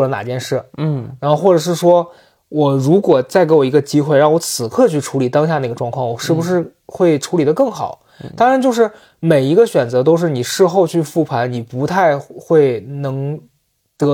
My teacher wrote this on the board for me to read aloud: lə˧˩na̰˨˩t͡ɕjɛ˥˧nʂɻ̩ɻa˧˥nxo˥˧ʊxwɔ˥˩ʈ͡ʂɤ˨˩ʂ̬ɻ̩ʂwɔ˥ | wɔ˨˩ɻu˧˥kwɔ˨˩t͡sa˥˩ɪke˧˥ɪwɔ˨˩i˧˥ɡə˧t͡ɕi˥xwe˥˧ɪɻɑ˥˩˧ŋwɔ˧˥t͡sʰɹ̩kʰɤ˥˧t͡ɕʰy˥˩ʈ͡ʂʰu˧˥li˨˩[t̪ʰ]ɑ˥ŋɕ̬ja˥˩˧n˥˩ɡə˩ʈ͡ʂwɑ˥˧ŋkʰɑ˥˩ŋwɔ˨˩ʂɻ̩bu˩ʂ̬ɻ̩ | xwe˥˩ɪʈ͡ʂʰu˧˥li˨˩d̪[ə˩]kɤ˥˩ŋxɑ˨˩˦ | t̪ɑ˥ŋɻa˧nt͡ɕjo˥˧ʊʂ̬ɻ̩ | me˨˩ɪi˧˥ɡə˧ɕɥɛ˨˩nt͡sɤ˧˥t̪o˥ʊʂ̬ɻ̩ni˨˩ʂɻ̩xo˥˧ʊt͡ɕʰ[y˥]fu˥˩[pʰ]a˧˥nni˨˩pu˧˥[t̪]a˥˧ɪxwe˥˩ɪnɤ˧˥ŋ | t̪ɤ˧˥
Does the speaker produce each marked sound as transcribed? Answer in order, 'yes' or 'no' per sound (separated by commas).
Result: no, no, no, yes, no